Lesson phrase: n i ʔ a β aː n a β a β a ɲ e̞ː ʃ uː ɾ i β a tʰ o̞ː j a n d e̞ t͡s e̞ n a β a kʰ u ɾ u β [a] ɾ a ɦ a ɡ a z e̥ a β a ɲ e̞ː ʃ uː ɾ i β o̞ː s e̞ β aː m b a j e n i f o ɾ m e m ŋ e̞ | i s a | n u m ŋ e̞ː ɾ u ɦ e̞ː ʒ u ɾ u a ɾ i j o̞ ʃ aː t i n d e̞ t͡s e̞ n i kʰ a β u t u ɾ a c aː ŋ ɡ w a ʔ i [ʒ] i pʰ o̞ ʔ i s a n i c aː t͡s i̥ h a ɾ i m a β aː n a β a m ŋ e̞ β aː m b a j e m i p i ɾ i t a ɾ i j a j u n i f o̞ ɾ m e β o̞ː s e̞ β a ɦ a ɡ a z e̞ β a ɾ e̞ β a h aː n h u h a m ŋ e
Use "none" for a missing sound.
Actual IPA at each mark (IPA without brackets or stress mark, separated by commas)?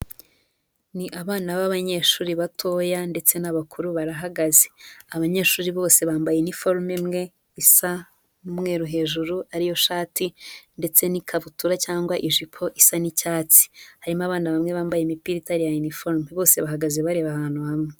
a, ʒ